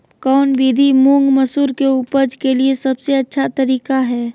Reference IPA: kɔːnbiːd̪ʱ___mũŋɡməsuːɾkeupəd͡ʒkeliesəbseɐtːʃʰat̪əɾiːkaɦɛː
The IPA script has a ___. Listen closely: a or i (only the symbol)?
i